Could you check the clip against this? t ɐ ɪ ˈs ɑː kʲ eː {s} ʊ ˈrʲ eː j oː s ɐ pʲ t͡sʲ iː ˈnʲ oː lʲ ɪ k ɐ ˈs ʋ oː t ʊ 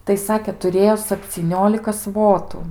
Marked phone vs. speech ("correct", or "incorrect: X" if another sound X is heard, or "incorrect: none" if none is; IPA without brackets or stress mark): incorrect: t